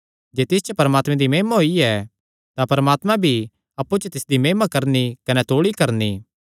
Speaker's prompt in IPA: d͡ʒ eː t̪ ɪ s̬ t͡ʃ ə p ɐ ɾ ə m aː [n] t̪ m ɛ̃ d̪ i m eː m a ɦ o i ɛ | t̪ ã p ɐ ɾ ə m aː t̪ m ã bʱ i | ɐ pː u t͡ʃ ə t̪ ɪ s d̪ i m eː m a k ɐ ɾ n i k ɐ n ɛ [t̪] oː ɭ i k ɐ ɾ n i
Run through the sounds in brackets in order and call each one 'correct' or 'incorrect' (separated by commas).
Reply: incorrect, correct